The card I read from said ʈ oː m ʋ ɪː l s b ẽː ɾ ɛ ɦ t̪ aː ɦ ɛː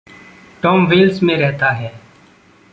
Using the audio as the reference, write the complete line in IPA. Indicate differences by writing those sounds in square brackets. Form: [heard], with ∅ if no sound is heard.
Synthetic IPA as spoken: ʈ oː m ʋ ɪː l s [m] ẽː ɾ ɛ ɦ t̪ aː ɦ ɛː